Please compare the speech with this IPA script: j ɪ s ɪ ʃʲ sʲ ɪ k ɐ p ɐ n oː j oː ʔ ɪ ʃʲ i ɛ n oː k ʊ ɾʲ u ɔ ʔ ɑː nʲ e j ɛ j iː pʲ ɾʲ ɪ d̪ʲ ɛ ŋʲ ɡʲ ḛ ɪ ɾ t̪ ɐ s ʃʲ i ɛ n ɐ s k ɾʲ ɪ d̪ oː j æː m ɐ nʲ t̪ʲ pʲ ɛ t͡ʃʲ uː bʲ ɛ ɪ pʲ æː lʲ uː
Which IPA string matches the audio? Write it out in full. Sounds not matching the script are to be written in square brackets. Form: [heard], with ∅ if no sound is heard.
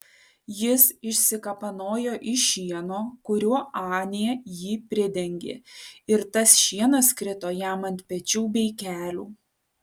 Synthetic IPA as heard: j ɪ s ɪ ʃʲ sʲ ɪ k ɐ p ɐ n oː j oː ʔ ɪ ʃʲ i ɛ n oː k ʊ ɾʲ u ɔ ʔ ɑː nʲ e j ɛ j iː pʲ ɾʲ ɪ d̪ʲ ɛ ŋʲ ɡʲ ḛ ɪ ɾ t̪ ɐ s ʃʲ i ɛ n ɐ s k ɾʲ ɪ [t̪] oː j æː m ɐ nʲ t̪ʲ pʲ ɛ t͡ʃʲ uː bʲ ɛ ɪ [kʲ] æː lʲ uː